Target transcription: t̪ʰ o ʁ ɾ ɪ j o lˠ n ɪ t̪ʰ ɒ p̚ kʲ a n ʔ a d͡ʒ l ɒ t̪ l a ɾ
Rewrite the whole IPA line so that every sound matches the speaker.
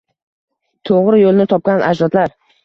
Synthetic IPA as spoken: t̪ʰ o ʁ ɾ ɪ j o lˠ n ɪ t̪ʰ ɒ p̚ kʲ a n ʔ a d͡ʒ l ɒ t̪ l a ɾ